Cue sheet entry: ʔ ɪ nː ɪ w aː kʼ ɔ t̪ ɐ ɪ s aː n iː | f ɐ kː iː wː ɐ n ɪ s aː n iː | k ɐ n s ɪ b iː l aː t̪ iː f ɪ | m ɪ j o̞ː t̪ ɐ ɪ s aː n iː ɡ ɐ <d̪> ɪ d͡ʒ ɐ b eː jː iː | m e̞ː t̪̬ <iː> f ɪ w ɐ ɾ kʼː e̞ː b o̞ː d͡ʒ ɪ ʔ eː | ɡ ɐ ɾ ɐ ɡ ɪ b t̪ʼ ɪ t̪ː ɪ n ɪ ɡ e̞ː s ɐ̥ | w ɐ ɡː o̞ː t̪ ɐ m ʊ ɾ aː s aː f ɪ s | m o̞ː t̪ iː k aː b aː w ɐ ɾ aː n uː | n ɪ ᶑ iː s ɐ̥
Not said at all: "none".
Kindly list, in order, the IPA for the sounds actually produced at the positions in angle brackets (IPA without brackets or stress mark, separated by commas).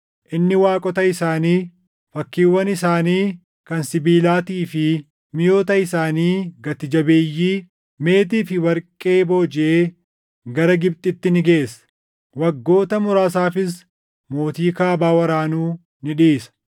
t̪, iː